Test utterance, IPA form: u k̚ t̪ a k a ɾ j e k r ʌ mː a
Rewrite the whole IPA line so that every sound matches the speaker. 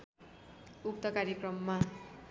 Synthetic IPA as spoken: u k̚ t̪ ʌ k a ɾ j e k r ʌ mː a